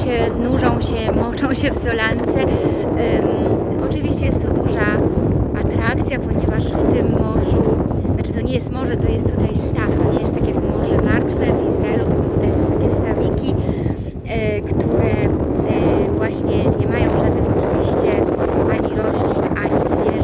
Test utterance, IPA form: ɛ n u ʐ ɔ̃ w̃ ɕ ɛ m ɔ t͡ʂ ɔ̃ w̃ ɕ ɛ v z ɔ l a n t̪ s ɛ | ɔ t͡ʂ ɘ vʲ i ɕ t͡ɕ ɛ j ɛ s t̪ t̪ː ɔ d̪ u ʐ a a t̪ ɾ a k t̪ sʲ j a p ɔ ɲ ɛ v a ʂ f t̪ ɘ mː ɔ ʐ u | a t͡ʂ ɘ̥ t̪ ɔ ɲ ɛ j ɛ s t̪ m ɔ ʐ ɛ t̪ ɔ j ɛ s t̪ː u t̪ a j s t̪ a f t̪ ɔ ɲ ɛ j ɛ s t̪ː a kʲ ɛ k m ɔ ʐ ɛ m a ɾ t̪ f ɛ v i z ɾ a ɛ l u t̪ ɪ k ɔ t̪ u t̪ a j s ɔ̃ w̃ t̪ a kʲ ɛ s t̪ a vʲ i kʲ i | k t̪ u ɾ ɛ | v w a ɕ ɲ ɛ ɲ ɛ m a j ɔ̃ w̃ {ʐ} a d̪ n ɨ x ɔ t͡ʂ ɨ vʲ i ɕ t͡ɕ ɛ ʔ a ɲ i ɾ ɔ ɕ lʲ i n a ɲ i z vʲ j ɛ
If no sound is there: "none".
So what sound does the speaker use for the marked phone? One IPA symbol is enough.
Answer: ʐ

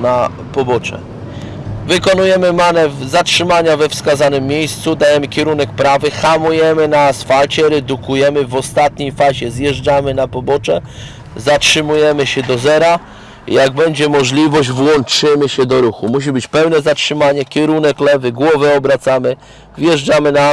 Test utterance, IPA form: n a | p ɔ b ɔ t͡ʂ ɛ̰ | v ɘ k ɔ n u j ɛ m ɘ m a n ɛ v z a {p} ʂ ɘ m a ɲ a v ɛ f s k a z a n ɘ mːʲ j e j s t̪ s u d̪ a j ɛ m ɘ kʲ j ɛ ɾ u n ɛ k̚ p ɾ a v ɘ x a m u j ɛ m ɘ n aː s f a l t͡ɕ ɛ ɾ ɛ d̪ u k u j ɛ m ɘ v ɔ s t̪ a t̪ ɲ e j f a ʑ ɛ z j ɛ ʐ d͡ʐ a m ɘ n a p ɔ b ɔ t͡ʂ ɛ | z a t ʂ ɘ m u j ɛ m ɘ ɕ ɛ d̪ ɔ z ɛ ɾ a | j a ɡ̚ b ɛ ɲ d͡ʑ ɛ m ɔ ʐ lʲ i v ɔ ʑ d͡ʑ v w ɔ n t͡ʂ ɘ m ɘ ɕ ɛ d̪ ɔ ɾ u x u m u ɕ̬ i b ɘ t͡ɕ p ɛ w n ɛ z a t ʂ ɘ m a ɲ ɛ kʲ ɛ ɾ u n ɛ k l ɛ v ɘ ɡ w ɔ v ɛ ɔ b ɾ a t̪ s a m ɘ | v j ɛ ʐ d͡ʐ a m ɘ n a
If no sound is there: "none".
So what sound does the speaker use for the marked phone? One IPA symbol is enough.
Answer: t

